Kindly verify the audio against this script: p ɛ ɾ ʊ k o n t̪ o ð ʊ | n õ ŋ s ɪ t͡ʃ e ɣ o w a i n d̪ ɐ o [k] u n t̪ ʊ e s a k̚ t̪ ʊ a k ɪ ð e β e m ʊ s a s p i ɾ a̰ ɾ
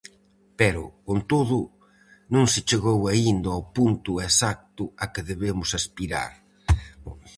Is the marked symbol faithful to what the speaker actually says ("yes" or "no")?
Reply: no